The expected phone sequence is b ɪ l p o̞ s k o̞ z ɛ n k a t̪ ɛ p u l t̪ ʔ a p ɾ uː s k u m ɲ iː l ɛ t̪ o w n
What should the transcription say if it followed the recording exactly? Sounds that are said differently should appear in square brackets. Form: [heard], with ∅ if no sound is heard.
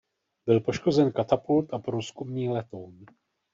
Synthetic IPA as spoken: b ɪ l p o̞ [ʃ] k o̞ z ɛ n k a t̪ [a] p u l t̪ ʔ a p ɾ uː s k u m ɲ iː l ɛ t̪ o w n

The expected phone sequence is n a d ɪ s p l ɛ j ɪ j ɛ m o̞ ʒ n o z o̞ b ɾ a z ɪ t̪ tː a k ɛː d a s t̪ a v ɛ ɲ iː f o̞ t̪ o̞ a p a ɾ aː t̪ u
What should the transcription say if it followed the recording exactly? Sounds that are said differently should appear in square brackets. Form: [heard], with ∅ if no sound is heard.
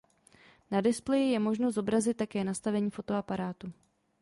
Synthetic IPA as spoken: n a d ɪ s p l ɛ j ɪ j ɛ m o̞ ʒ n o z o̞ b ɾ a z ɪ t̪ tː a k ɛː [n] a s t̪ a v ɛ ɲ iː f o̞ t̪ o̞ a p a ɾ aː t̪ u

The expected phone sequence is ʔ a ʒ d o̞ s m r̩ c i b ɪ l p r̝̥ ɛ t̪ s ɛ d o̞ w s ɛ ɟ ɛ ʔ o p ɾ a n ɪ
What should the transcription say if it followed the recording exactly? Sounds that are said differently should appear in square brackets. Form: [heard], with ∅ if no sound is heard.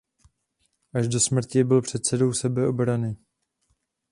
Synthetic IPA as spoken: ʔ a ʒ d o̞ s m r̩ c [ɪ] b ɪ l p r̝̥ ɛ t̪ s ɛ d o̞ w s ɛ [b] ɛ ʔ o [b] ɾ a n ɪ

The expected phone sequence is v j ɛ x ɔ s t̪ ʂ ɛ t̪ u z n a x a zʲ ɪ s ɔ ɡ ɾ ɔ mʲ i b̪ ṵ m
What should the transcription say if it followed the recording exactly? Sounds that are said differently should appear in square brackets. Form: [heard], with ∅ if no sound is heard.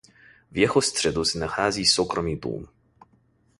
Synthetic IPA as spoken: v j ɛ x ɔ s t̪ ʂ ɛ [d̪] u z n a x a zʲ [i] s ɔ [k] ɾ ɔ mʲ i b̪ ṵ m

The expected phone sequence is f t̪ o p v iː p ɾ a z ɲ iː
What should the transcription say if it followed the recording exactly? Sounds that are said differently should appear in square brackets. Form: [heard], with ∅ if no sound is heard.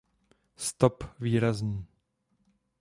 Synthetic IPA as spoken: [s] t̪ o p v iː [∅] ɾ a z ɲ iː

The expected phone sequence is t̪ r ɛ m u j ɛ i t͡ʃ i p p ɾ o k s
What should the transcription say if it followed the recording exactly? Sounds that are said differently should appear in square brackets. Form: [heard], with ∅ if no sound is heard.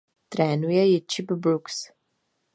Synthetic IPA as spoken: t̪ [ɾ] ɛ [n] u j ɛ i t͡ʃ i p [b] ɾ [u] k s

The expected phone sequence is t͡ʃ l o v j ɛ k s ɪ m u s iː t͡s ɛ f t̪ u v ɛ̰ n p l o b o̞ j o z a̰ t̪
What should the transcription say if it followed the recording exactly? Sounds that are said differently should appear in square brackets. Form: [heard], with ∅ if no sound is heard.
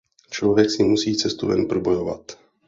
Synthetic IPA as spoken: t͡ʃ l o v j ɛ k s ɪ m u s iː t͡s ɛ [s] t̪ u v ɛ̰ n p [ɾ] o b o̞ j o [v] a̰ t̪

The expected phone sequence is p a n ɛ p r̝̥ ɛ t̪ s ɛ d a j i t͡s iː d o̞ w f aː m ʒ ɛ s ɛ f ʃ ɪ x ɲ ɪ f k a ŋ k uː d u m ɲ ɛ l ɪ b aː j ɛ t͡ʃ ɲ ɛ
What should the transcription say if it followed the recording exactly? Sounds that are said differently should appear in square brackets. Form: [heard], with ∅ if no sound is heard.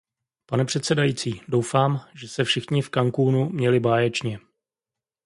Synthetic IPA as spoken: p a n ɛ p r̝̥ ɛ t̪ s ɛ d a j i t͡s iː d o̞ w f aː m ʒ ɛ s ɛ f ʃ ɪ x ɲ ɪ f k a ŋ k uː [n] u m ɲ ɛ l ɪ b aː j ɛ t͡ʃ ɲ ɛ

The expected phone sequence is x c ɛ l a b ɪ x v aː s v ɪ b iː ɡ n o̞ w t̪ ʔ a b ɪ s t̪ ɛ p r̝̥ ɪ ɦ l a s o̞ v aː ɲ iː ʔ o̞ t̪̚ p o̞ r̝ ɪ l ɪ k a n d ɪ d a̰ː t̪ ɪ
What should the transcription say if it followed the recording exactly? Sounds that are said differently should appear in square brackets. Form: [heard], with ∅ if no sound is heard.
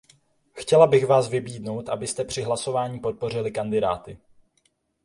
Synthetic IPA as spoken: x c ɛ l a b ɪ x v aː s v ɪ b iː [d] n o̞ w t̪ ʔ a b ɪ s t̪ ɛ p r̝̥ ɪ ɦ l a s o̞ v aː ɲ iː [p] o̞ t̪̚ p o̞ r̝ ɪ l ɪ k a n d ɪ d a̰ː t̪ ɪ

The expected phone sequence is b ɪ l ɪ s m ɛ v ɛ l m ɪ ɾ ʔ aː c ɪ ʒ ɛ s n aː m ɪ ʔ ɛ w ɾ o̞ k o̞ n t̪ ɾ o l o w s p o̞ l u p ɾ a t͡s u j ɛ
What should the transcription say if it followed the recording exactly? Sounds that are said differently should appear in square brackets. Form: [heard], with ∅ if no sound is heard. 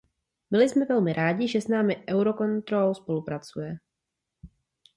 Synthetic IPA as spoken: b ɪ l ɪ s m ɛ v ɛ l m ɪ ɾ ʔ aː [ɟ] ɪ ʒ ɛ s n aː m ɪ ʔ ɛ w ɾ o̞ k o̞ n t̪ ɾ o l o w s p o̞ l u p ɾ a t͡s u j ɛ

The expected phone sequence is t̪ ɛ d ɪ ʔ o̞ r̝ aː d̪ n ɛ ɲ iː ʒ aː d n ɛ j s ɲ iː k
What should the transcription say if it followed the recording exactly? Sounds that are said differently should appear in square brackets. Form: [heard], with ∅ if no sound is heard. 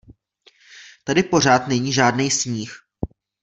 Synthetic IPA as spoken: t̪ [a] d ɪ [p] o̞ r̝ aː [t̪] n ɛ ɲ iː ʒ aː d n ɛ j s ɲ iː [x]

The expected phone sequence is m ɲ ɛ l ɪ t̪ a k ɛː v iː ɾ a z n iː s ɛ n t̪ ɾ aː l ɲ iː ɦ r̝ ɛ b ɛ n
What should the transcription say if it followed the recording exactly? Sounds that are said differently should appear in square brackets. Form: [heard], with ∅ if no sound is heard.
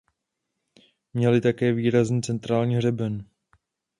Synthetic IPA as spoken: m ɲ ɛ l ɪ t̪ a k ɛː v iː ɾ a z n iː [t͡s] ɛ n t̪ ɾ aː l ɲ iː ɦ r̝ ɛ b ɛ n

